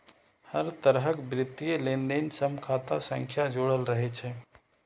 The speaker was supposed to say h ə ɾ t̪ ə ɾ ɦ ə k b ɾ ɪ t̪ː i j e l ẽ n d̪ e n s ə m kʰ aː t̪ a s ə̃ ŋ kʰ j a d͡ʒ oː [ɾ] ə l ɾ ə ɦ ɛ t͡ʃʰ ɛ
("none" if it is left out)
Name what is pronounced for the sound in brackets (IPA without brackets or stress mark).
ɽ